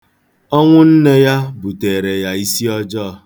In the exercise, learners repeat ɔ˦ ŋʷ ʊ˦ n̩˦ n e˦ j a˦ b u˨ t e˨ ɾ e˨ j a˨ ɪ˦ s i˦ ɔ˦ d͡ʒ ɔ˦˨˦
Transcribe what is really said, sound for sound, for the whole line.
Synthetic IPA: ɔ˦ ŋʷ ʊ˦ n̩˦ n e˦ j a˦ b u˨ t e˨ ɾ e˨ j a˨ i˦ s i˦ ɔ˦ d͡ʒ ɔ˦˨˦